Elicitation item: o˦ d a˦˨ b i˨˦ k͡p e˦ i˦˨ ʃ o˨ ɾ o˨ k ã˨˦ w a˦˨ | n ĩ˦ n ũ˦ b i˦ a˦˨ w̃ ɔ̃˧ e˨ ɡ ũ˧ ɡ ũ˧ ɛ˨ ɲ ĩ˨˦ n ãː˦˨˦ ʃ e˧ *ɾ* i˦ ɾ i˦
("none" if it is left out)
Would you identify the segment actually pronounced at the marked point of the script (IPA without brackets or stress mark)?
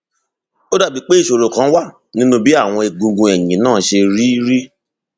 ɾ